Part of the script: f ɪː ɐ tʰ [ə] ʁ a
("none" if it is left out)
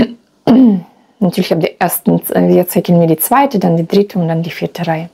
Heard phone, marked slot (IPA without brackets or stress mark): ə